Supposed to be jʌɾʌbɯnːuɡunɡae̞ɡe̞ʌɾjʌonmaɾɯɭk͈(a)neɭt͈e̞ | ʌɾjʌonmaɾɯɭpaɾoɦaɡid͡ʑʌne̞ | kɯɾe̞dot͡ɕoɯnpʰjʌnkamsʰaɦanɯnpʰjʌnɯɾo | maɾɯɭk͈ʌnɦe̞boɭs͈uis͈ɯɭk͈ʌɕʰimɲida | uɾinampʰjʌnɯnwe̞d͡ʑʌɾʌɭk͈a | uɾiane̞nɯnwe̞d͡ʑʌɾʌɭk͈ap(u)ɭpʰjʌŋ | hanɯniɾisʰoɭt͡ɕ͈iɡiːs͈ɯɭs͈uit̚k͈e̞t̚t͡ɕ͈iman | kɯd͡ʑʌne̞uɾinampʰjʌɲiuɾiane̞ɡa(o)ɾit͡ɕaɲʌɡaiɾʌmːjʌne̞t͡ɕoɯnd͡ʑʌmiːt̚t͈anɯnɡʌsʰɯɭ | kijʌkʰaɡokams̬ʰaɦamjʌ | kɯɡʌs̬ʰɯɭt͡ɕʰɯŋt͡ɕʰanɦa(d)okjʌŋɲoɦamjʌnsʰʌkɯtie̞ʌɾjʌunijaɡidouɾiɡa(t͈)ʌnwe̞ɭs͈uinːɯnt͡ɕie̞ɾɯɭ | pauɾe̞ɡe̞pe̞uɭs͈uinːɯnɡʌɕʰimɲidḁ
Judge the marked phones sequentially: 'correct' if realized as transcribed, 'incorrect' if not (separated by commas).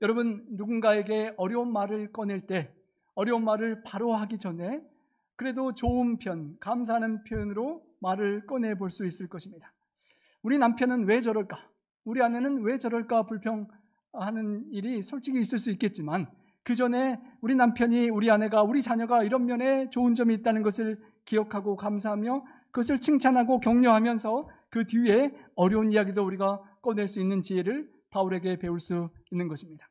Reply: incorrect, correct, incorrect, incorrect, incorrect